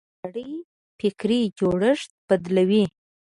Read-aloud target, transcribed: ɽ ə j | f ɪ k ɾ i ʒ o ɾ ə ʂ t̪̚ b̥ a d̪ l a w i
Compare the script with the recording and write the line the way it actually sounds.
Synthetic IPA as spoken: ɽ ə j | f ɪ k ɾ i d͡ʒ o ɽ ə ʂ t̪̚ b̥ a d̪ l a w i